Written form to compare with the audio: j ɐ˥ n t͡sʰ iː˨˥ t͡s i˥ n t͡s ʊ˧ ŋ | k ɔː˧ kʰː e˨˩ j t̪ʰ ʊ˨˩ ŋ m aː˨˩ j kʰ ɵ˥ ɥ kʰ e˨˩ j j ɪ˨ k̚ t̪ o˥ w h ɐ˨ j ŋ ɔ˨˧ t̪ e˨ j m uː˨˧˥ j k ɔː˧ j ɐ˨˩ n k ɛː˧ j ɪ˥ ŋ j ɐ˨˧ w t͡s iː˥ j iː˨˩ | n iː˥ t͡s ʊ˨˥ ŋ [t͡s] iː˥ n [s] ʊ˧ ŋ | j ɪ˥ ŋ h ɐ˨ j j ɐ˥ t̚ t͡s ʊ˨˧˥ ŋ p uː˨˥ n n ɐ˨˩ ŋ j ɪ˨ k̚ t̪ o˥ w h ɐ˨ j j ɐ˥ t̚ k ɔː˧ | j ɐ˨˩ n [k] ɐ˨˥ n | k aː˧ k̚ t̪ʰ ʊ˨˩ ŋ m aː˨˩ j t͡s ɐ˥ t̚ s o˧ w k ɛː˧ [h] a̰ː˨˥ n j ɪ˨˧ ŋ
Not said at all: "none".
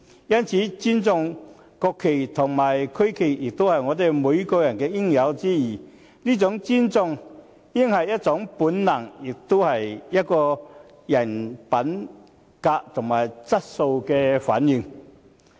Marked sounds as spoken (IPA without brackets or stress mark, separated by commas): t͡s, t͡s, p, f